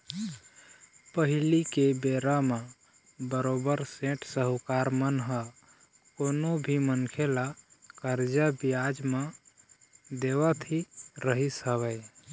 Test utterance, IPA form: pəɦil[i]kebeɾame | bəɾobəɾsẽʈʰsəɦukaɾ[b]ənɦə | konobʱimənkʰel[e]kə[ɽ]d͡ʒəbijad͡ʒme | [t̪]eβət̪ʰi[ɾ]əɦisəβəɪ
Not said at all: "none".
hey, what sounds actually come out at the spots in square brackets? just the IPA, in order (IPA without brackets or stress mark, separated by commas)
i, m, a, ɾ, d̪, ɾ